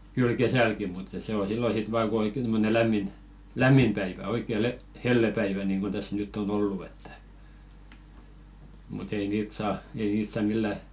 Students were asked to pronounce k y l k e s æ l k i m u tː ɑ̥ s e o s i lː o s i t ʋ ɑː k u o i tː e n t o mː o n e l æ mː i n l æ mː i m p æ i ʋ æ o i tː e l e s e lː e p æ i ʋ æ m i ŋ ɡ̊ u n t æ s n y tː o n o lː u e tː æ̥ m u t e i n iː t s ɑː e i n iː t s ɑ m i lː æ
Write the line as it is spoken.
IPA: k y l k e s æ l k i m u tː ɑ̥ s e o s i lː o s i t ʋ ɑː k u o i kː e n t o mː o n e l æ mː i n l æ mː i m p æ i ʋ æ o i kː e l e h e lː e p æ i ʋ æ n i ŋ ɡ̊ u n t æ s n y tː o n o lː u e tː æ̥ m u t e i n iː t s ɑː e i n iː t s ɑ m i lː æ